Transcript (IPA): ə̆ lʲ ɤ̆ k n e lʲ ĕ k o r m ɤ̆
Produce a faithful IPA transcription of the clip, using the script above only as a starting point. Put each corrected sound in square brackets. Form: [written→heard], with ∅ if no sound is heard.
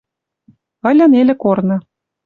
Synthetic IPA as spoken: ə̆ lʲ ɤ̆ [k→∅] n e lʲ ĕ k o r [m→n] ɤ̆